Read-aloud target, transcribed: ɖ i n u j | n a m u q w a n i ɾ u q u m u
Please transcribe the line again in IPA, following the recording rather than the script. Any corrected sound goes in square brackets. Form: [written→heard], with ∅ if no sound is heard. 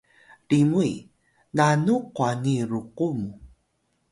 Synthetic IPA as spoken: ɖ i [n→m] u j | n a [m→n] u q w a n i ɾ u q u m u